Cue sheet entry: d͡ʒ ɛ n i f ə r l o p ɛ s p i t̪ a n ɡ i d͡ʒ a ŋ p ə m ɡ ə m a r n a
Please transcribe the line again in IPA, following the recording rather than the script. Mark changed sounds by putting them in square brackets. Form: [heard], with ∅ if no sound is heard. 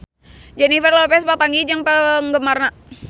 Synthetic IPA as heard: d͡ʒ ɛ n i f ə r l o p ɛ s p [a] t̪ a [ŋ] ɡ i d͡ʒ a ŋ p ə [ŋ] ɡ ə m a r n a